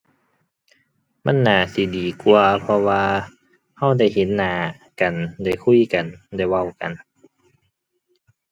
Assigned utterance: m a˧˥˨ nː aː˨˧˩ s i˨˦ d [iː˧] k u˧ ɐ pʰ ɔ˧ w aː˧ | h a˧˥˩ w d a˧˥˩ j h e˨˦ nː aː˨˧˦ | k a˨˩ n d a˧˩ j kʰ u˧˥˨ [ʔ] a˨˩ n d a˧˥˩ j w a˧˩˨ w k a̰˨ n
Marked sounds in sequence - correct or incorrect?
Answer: incorrect: iː˨˩, incorrect: k

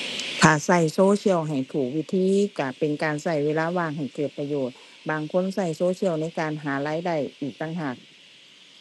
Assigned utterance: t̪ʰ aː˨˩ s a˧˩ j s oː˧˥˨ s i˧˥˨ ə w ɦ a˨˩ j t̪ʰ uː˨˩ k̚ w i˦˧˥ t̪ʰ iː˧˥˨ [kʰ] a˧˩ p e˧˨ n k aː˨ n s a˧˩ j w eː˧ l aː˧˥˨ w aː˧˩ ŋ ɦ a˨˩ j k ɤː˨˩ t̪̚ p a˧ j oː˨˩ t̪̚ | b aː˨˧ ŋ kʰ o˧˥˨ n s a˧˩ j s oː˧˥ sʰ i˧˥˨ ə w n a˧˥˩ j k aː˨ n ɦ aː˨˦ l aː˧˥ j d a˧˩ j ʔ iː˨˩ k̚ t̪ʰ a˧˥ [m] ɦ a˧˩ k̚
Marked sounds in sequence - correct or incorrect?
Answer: incorrect: k, incorrect: ŋ

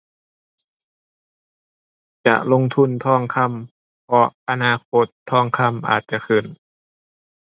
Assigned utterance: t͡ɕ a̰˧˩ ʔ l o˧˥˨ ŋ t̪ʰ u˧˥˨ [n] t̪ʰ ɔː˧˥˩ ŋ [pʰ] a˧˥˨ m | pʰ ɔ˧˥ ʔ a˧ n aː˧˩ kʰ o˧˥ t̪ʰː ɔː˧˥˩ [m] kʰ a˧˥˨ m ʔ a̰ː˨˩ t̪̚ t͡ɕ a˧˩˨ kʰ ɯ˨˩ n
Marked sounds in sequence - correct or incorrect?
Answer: correct, incorrect: kʰ, incorrect: ŋ

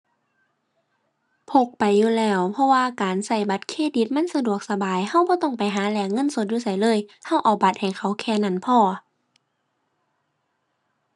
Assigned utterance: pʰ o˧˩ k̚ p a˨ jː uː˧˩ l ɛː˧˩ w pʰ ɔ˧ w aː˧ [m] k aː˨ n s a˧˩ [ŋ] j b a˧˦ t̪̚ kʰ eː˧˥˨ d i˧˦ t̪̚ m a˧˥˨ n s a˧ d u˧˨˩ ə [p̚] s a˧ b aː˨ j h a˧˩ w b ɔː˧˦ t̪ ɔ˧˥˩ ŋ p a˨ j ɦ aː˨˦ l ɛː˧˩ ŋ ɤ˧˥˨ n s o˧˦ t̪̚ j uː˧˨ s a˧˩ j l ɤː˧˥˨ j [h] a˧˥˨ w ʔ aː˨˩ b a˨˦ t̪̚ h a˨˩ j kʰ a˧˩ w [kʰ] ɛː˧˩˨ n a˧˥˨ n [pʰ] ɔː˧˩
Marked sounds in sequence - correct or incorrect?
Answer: incorrect: none, incorrect: none, incorrect: k̚, correct, correct, correct

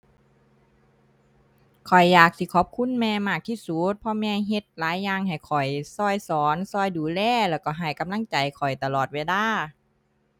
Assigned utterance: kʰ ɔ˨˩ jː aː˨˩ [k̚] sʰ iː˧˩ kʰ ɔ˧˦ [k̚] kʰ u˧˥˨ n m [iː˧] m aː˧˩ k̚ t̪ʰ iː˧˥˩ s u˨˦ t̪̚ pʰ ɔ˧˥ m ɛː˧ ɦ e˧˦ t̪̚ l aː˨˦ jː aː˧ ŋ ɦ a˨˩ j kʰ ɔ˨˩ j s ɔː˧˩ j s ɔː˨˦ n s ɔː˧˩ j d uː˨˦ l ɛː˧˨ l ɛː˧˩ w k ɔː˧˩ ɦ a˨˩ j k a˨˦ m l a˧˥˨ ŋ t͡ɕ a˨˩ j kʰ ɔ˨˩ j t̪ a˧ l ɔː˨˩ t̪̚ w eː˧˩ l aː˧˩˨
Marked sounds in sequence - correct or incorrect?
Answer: correct, incorrect: p̚, incorrect: ɛː˧

